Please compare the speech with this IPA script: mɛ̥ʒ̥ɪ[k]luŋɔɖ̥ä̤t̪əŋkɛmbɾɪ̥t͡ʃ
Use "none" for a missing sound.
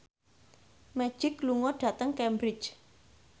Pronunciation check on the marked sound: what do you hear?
k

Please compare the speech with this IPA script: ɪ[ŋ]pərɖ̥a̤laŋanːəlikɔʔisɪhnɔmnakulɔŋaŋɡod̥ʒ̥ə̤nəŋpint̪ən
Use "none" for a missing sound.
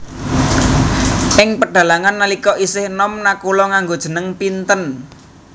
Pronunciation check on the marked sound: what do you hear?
ŋ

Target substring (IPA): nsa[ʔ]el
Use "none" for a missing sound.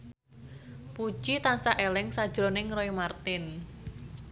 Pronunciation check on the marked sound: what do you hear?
ʔ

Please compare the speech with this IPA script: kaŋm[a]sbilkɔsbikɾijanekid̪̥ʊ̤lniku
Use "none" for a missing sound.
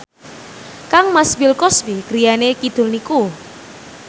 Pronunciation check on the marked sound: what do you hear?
a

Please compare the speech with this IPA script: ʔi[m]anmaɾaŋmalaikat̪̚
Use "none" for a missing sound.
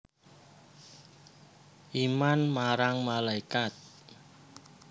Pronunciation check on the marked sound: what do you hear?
m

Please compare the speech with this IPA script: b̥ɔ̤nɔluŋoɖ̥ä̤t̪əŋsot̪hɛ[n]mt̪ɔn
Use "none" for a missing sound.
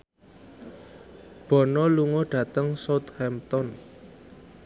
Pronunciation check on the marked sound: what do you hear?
none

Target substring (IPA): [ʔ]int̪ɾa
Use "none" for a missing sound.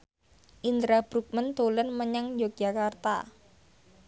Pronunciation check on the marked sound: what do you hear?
ʔ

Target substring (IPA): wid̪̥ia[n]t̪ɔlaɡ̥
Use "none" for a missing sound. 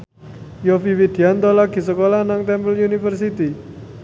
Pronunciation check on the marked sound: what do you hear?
n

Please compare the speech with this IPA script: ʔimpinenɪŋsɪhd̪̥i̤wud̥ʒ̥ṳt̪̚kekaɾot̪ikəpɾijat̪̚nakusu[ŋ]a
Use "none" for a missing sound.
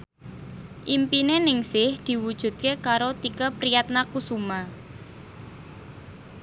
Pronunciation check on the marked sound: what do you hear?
m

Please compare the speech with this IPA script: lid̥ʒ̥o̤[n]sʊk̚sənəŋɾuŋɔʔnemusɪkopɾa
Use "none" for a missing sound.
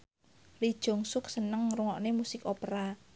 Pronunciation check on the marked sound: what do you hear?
ŋ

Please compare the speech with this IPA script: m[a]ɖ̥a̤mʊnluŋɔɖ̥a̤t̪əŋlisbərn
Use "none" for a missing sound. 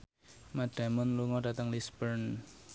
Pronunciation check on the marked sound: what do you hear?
a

